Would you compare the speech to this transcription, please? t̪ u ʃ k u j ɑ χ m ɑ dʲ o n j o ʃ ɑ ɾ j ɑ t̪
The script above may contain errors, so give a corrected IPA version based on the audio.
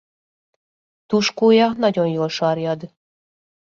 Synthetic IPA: t̪ u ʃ k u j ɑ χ n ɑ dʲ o n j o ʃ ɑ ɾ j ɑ d̪

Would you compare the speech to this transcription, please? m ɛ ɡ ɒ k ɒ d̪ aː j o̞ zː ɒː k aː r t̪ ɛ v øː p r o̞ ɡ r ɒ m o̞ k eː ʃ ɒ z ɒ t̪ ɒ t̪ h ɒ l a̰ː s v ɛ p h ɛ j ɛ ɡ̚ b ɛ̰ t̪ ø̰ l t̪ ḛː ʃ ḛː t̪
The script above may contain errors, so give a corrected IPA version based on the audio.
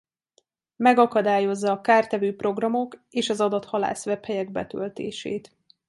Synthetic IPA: m ɛ ɡ ɒ k ɒ d̪ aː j o̞ zː ɒː k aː r t̪ ɛ v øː p r o̞ ɡ r ɒ m o̞ k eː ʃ ɒ z ɒ d̪ ɒ t̪ h ɒ l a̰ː s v ɛ p h ɛ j ɛ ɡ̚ b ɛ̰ t̪ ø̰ l t̪ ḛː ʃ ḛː t̪

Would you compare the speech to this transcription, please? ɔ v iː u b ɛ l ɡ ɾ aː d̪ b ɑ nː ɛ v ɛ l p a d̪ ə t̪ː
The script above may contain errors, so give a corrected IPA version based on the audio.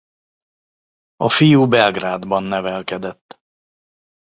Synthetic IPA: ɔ f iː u b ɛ l ɡ ɾ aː d̪ b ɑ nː ɛ v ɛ l k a d̪ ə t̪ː

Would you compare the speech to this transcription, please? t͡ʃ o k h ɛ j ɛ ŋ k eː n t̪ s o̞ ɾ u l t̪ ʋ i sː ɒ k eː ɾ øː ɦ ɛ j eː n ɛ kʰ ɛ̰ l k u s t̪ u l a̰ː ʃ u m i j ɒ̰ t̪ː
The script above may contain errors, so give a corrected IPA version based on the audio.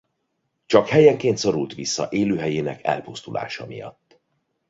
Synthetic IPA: t͡ʃ ɒ k h ɛ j ɛ ŋ k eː n t̪ s o̞ ɾ u l t̪ ʋ i sː ɒ ʔ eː l øː ɦ ɛ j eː n ɛ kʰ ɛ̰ l p u s t̪ u l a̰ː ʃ ɒ m i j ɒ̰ t̪ː

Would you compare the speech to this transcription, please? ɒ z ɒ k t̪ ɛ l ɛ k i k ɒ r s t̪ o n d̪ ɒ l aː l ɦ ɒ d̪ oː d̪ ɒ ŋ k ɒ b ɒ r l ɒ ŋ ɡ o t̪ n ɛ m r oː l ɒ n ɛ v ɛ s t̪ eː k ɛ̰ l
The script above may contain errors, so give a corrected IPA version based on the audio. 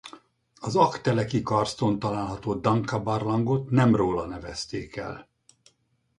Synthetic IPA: ɒ z ɒ k t̪ ɛ l ɛ k i k ɒ r s t̪ o n t̪ ɒ l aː l ɦ ɒ t̪ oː d̪ ɒ ŋ k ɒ b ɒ r l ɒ ŋ ɡ o t̪ n ɛ m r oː l ɒ n ɛ v ɛ s t̪ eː k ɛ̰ l

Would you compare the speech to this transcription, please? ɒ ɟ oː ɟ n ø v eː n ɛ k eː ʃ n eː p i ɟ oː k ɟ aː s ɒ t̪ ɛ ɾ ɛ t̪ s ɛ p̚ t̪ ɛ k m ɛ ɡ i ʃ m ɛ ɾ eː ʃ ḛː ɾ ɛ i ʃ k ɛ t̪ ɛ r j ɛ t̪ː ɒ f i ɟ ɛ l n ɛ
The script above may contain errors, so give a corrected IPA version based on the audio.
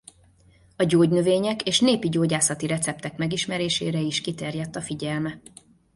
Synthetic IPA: ɒ ɟ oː ɟ n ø v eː ɲ ɛ k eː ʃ n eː p i ɟ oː ɟ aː s ɒ t̪ i ɾ ɛ t̪ s ɛ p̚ t̪ ɛ k m ɛ ɡ i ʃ m ɛ ɾ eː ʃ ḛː ɾ ɛ i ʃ k i t̪ ɛ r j ɛ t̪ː ɒ f i ɟ ɛ l m ɛ

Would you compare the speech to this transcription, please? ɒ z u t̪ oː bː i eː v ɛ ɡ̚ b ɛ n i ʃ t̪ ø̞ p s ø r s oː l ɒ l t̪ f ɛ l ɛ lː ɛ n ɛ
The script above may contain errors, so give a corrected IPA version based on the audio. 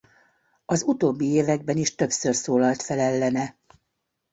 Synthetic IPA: ɒ z u t̪ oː bː i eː v ɛ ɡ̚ b ɛ n i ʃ t̪ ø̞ p s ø r s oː l ɒ l t̪ f ɛ l ɛ lː ɛ n ɛ

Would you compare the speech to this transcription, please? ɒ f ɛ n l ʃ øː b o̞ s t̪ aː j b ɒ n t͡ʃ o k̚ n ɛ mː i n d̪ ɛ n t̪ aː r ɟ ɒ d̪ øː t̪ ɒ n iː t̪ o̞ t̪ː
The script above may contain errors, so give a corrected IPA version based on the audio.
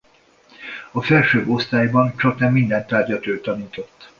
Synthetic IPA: ɒ f ɛ l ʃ øː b o̞ s t̪ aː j b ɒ n t͡ʃ ɒ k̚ n ɛ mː i n d̪ ɛ n t̪ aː r ɟ ɒ t̪ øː t̪ ɒ n iː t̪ o̞ t̪ː

